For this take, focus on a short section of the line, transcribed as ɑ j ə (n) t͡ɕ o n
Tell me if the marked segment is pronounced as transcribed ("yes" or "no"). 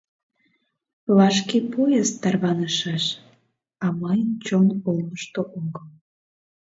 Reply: yes